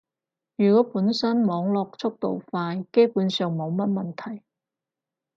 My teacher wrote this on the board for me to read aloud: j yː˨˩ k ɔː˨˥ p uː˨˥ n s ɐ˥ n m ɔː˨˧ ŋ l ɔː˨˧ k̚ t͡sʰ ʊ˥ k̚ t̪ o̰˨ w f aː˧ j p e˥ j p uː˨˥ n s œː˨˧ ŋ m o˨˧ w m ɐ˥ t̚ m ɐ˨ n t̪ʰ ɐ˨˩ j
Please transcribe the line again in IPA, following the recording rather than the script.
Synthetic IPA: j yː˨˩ k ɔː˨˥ p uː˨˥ n s ɐ˥ n m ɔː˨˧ ŋ l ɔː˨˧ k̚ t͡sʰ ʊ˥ k̚ t̪ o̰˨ w f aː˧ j k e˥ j p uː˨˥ n s œː˨˧ ŋ m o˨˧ w m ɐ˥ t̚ m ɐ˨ n t̪ʰ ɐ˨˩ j

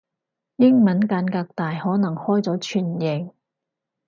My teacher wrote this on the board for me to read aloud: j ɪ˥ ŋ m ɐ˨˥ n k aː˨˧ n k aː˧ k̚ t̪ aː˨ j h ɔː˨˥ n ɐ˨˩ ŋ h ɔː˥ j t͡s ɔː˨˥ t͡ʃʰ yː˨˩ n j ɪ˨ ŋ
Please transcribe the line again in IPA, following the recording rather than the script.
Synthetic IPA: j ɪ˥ ŋ m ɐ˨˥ n k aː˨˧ n k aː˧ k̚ t̪ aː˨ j h ɔː˨˥ n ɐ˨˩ ŋ h ɔː˥ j t͡s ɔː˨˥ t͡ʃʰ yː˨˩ n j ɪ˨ ŋ

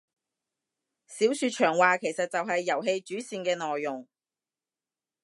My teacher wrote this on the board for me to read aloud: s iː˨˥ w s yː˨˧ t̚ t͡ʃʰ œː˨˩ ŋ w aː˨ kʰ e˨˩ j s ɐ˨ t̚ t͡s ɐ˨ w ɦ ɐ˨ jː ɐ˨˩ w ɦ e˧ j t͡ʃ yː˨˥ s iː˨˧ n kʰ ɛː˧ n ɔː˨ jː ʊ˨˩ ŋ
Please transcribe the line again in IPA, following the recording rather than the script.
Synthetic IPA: s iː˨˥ w s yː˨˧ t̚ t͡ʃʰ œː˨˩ ŋ w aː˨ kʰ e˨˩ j s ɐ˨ t̚ t͡s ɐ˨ w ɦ ɐ˨ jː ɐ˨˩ w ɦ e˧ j t͡ʃ yː˨˥ s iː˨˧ n k ɛː˧ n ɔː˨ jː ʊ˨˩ ŋ

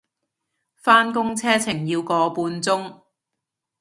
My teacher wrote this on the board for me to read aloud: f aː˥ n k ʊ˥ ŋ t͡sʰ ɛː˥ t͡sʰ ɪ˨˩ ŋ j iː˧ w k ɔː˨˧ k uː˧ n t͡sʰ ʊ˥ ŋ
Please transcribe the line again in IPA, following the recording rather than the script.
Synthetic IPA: f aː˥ n k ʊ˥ ŋ t͡sʰ ɛː˥ t͡sʰ ɪ˨˩ ŋ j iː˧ w k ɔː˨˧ p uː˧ n t͡s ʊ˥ ŋ

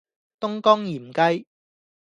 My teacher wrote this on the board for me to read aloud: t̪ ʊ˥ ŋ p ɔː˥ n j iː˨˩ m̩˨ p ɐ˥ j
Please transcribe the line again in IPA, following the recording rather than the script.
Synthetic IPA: t̪ ʊ˥ ŋ k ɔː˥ ŋ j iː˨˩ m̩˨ k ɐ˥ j

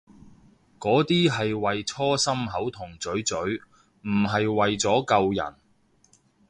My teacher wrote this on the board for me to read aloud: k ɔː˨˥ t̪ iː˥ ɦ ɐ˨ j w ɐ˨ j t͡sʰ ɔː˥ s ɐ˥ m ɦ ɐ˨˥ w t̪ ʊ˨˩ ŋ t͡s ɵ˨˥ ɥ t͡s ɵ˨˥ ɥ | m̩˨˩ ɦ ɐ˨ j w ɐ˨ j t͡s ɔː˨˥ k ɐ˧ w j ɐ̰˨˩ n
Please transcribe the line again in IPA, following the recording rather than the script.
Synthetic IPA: k ɔː˨˥ t̪ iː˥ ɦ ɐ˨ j w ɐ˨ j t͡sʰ ɔː˥ s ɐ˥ m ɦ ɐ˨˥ w t̪ʰ ʊ˨˩ ŋ t͡s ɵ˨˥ ɥ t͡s ɵ˨˥ ɥ | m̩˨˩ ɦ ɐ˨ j w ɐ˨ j t͡s ɔː˨˥ k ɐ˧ w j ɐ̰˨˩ n

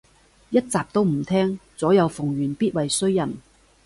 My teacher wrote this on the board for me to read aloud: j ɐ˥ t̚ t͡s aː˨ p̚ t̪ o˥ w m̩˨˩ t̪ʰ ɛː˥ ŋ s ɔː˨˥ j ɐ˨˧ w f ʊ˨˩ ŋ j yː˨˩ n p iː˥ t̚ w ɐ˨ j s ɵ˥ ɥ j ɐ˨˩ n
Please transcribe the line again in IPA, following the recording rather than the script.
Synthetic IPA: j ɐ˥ t̚ t͡s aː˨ p̚ t̪ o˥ w m̩˨˩ t̪ʰ ɛː˥ ŋ t͡s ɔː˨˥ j ɐ˨˧ w f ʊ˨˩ ŋ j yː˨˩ n p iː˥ t̚ w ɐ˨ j s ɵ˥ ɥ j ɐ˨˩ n

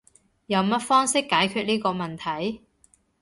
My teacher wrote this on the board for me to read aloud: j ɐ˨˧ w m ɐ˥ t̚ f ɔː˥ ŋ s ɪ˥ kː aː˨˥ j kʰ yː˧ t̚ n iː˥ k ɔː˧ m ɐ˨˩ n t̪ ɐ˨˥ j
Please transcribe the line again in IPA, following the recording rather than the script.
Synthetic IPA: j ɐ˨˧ w m ɐ˥ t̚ f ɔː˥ ŋ s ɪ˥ kː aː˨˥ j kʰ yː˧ t̚ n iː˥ k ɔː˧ m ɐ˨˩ n t̪ʰ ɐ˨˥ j

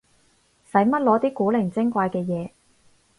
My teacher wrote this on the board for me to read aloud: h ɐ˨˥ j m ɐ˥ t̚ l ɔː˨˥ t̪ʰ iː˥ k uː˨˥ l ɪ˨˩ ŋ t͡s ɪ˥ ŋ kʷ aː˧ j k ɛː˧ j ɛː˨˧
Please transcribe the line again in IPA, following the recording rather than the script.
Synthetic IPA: s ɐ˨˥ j m ɐ˥ t̚ l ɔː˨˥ t̪ iː˥ k uː˨˥ l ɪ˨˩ ŋ t͡s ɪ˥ ŋ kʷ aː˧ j k ɛː˧ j ɛː˨˧

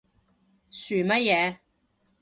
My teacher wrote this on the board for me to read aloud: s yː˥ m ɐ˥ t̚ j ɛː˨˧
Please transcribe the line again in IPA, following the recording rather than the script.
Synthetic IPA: s yː˨˩ m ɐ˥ t̚ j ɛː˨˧

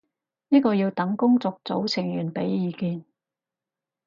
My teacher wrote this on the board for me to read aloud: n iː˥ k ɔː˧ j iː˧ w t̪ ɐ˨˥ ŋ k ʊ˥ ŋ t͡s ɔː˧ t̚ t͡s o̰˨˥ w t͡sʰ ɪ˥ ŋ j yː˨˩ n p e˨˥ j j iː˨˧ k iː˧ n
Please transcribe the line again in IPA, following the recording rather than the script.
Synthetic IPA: n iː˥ k ɔː˧ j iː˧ w t̪ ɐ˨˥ ŋ k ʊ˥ ŋ t͡s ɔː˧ k̚ t͡s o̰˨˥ w t͡sʰ ɪ˨˩ ŋ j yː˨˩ n p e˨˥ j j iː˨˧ k iː˧ n

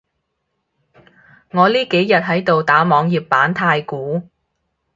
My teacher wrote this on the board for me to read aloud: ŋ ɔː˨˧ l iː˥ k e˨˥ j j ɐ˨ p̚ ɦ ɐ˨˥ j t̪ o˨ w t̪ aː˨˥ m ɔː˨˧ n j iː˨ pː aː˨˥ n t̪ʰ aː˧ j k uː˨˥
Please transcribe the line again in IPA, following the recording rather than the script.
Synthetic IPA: ŋ ɔː˨˧ l iː˥ k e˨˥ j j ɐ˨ t̚ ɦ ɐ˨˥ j t̪ o˨ w t̪ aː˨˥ m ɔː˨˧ ŋ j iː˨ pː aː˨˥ n t̪ʰ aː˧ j k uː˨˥

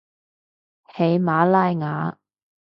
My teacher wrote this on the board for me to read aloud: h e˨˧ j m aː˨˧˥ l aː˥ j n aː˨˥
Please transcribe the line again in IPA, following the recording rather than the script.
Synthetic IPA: h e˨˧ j m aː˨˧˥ l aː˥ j ŋ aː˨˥

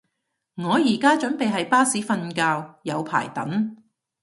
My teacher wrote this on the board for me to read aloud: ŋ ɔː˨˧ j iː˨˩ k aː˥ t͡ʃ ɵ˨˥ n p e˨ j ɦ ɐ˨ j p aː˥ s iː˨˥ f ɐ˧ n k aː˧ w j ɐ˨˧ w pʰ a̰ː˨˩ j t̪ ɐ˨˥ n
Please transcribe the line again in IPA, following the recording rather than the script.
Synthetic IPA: ŋ ɔː˨˧ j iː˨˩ k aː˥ t͡ʃ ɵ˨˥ n p e˨ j ɦ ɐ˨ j p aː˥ s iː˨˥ f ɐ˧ n k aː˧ w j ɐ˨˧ w pʰ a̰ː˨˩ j t̪ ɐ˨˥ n

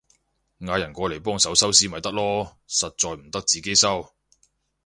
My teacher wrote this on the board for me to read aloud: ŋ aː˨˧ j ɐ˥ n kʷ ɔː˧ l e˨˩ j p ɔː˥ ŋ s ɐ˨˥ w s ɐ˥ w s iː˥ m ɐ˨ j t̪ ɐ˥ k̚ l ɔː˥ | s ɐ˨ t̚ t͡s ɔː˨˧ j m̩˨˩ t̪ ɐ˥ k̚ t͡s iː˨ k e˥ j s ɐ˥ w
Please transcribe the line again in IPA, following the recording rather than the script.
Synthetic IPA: ŋ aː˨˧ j ɐ˨˩ n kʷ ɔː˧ l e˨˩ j p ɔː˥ ŋ s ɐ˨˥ w s ɐ˥ w s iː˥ m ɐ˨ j t̪ ɐ˥ k̚ l ɔː˥ | s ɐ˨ t̚ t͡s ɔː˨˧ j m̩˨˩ t̪ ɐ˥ k̚ t͡s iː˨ k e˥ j s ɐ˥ w

